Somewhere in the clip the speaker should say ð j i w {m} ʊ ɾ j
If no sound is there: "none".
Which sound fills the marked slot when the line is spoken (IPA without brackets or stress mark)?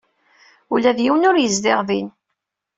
n